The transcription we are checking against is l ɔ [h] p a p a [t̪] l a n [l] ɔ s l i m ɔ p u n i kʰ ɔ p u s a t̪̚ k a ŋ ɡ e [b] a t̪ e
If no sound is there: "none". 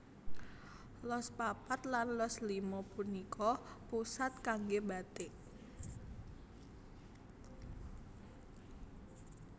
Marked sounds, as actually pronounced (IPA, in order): s, t̪, l, b

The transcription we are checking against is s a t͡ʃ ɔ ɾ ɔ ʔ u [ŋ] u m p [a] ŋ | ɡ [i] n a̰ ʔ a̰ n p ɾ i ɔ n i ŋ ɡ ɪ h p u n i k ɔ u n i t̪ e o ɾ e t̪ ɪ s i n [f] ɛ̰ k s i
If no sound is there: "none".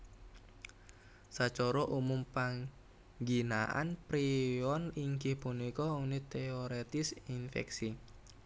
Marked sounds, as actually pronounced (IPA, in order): m, a, i, f

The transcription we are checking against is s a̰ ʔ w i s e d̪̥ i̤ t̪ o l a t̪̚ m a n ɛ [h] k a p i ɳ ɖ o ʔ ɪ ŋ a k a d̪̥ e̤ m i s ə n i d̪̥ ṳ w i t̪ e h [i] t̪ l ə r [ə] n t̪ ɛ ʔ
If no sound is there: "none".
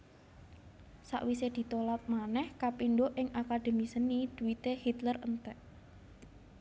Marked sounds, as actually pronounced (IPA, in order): h, i, ə

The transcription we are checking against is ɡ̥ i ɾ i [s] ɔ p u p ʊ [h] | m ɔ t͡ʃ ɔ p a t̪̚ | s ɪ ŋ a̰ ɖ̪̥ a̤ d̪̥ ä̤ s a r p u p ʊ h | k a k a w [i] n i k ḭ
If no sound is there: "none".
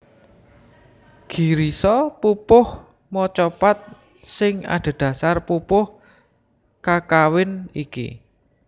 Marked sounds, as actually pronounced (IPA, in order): s, h, ɪ

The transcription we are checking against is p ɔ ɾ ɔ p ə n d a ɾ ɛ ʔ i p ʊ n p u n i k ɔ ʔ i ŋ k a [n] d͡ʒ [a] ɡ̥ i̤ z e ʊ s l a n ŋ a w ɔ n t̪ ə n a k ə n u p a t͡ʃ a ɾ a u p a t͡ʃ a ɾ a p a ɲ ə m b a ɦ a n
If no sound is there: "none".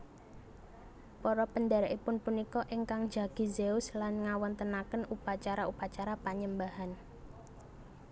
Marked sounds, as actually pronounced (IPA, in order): ŋ, a

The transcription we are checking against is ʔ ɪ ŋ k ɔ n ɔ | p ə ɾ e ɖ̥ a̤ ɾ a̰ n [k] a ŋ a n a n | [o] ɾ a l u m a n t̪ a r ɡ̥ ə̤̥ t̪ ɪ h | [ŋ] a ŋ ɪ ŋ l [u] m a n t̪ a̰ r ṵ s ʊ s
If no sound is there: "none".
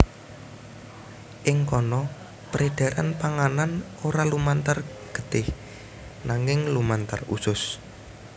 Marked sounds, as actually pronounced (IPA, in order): p, o, n, u

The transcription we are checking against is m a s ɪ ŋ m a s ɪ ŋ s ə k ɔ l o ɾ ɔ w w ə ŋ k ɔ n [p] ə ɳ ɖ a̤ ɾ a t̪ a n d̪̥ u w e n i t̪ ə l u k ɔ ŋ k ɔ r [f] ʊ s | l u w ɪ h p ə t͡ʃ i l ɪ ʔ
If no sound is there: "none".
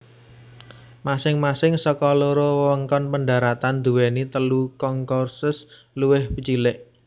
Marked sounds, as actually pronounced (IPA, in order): p, s

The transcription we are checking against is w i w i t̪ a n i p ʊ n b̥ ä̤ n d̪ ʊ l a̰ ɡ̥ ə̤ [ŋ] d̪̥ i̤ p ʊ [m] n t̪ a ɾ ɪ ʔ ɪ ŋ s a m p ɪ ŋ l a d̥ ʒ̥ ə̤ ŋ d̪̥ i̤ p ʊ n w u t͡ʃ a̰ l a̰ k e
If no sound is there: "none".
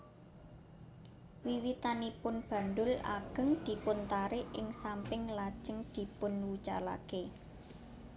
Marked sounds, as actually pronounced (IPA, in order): ŋ, none

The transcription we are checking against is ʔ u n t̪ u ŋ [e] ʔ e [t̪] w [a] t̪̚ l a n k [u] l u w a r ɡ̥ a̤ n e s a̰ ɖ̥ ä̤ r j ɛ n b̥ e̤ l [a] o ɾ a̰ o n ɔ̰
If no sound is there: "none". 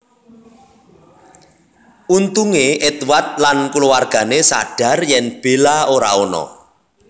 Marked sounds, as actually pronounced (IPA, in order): e, t̪, a, u, a

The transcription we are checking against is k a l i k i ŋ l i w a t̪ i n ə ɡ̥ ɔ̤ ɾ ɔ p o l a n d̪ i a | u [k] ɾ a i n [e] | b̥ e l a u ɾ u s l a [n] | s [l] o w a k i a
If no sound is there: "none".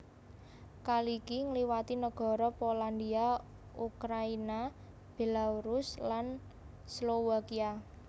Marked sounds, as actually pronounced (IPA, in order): k, a, n, l

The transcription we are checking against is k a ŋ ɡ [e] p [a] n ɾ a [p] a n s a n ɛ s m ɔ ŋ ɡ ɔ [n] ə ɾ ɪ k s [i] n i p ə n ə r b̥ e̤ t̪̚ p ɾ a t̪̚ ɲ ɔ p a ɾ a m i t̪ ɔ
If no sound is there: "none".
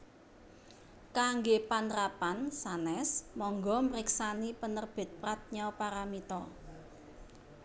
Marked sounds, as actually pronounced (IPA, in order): e, a, p, m, a

